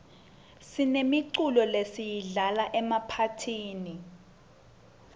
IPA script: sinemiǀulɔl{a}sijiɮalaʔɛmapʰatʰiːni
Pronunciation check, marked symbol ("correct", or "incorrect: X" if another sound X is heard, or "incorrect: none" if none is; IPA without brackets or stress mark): incorrect: e